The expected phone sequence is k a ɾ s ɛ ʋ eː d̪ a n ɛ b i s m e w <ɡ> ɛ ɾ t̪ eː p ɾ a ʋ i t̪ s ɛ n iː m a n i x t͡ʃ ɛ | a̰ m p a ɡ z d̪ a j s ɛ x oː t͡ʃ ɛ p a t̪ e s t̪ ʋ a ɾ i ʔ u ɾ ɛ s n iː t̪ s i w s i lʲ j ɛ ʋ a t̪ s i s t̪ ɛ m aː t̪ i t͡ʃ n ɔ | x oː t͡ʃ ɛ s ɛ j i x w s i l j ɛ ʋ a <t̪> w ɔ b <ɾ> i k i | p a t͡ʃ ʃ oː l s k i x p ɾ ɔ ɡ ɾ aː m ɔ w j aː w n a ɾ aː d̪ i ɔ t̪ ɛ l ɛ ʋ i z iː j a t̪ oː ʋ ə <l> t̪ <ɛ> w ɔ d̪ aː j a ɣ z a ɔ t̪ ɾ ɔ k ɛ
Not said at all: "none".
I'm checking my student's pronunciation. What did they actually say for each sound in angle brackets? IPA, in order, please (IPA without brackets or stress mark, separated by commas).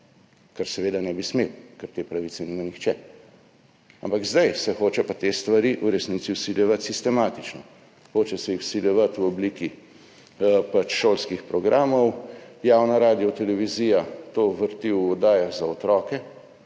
k, t̪, l, ɾ, i